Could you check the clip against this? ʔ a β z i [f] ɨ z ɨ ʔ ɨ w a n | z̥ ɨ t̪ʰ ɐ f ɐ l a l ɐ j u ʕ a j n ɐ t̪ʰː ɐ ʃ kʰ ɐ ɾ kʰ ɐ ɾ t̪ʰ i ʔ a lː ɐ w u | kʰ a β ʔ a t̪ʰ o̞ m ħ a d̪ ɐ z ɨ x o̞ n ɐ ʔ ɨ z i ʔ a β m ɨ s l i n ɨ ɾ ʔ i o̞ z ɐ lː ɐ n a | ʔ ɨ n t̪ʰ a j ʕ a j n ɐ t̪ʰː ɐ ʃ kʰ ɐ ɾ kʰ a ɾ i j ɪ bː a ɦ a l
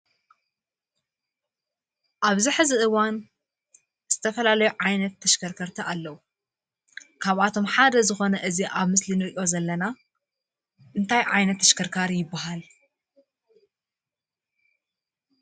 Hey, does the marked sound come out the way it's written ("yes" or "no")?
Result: no